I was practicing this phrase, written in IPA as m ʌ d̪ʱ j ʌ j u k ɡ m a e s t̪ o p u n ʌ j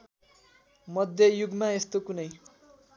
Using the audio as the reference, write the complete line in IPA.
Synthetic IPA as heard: m ʌ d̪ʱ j ʌ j u ɡ m a e s t̪ o k u n ʌ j